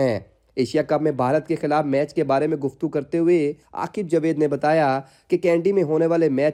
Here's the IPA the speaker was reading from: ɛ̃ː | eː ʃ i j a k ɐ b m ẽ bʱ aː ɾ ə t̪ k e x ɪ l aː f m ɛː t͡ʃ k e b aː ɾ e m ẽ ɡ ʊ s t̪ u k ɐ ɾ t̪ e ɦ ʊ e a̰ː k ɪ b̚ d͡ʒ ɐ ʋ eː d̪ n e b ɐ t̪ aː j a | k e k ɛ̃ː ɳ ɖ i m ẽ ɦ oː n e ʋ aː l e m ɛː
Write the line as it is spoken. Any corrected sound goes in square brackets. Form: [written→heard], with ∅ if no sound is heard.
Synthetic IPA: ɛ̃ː | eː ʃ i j a k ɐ b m ẽ bʱ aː ɾ ə t̪ k e x ɪ l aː f m ɛː t͡ʃ k e b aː ɾ e m ẽ ɡ ʊ [s→f] t̪ u k ɐ ɾ t̪ e ɦ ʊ e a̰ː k ɪ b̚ d͡ʒ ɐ ʋ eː d̪ n e b ɐ t̪ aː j a | k e k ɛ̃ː ɳ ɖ i m ẽ ɦ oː n e ʋ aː l e m ɛː